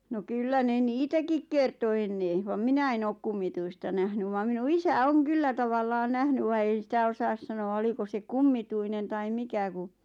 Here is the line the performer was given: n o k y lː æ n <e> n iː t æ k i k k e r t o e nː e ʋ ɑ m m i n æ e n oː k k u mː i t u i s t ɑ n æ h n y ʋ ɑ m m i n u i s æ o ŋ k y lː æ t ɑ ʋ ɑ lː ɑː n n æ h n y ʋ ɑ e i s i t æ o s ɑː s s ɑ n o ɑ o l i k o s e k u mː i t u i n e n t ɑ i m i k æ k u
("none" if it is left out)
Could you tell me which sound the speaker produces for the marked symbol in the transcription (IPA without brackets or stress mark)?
e